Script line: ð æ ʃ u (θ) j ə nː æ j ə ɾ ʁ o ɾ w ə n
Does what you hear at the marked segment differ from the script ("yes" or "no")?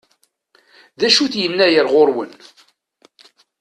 no